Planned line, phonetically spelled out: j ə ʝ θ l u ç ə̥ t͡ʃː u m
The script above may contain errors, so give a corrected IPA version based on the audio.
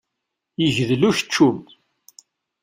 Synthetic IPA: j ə ʝ ð l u ç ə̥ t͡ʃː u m